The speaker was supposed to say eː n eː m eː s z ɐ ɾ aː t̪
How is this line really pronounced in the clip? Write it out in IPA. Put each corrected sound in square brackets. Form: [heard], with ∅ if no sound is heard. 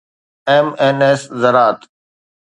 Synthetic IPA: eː [m] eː [n] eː s z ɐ ɾ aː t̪